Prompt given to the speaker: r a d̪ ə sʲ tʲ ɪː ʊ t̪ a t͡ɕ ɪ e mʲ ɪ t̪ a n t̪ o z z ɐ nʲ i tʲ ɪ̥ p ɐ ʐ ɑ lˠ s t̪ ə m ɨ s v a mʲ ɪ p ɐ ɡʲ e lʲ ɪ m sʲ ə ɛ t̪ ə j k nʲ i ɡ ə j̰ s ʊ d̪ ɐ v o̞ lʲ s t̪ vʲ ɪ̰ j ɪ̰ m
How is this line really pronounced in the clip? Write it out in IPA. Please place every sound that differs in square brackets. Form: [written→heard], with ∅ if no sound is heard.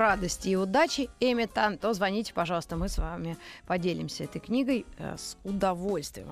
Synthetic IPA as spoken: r a d̪ ə sʲ tʲ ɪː ʊ [t̪→d̪] a t͡ɕ ɪ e mʲ ɪ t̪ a n t̪ o z [z→v] ɐ nʲ i tʲ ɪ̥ p ɐ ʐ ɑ lˠ s t̪ ə m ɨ s v a mʲ ɪ p ɐ [ɡʲ→dʲ] e lʲ ɪ m sʲ ə ɛ t̪ ə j k nʲ i ɡ ə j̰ s ʊ d̪ ɐ v o̞ lʲ s t̪ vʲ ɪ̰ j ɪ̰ m